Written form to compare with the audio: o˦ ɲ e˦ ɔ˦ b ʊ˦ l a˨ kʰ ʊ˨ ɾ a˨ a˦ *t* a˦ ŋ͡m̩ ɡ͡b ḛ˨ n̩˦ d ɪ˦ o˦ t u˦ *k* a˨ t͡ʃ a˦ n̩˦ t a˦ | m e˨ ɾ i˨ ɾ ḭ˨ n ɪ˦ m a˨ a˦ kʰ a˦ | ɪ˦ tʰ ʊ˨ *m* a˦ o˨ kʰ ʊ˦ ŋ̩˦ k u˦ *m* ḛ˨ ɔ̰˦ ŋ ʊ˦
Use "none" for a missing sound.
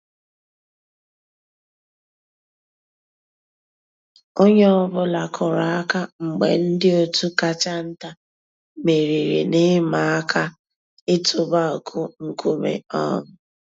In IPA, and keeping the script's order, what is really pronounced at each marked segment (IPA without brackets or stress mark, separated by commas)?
k, k, b, m